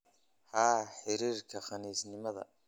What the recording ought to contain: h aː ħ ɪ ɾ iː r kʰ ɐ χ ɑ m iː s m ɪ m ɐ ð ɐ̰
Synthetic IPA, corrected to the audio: h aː ħ ɪ ɾ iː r kʰ ɐ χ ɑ n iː s n ɪ m ɐ ð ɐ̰